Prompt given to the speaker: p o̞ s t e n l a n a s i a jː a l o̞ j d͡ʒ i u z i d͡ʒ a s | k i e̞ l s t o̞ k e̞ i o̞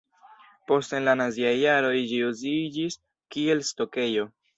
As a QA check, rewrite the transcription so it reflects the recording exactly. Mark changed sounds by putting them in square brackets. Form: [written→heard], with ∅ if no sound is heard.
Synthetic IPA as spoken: p o̞ s t e n l a n a [s→z] i a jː a [l→ɾ] o̞ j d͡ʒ i u z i d͡ʒ [a→i] s | k i e̞ l s t o̞ k e̞ [i→j] o̞